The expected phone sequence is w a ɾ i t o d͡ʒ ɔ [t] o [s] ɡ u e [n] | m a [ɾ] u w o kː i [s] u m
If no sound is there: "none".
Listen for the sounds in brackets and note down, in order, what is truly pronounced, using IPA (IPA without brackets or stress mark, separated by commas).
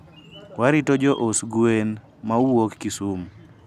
ʔ, s, n, none, s